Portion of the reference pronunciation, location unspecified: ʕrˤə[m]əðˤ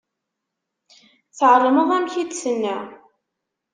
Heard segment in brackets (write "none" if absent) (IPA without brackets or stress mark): m